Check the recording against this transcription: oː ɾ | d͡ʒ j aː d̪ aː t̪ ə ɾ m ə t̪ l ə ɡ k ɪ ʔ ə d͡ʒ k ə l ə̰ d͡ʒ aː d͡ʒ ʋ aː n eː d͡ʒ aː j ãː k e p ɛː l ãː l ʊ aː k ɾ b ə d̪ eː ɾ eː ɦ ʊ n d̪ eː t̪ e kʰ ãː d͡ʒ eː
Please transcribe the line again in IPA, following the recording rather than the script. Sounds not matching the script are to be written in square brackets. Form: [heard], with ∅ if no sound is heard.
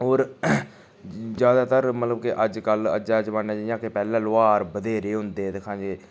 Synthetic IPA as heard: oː ɾ | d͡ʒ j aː d̪ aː t̪ ə ɾ m ə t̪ l ə [b] k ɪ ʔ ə d͡ʒ k ə l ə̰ d͡ʒ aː d͡ʒ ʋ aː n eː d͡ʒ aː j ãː k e p ɛː l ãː l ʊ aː [∅] ɾ b ə d̪ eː ɾ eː ɦ ʊ n d̪ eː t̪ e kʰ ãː d͡ʒ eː